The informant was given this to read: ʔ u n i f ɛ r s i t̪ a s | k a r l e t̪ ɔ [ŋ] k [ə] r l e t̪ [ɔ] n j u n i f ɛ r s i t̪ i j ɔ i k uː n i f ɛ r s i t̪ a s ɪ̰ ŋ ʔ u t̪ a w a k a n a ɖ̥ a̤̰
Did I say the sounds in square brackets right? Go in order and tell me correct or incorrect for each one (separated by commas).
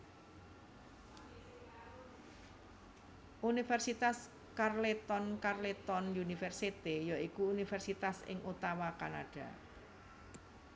incorrect, incorrect, correct